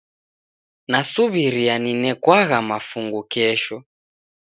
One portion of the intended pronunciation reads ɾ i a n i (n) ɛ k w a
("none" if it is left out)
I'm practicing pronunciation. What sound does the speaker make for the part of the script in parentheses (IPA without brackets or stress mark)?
n